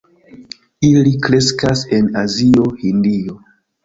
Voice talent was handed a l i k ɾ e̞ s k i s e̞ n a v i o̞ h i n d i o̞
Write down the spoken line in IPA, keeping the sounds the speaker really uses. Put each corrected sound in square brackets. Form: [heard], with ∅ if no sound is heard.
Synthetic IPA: [i] l i k ɾ e̞ s k [a] s e̞ n a [z] i o̞ h i n d i o̞